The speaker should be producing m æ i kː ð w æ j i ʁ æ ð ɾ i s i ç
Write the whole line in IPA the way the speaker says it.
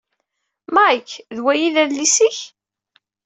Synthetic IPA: m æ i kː ð w æ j i ð æ ð l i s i ç